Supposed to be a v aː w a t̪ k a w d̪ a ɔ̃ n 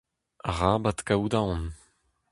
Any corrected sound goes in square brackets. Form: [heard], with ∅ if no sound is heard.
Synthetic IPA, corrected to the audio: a [ʁ] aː [b] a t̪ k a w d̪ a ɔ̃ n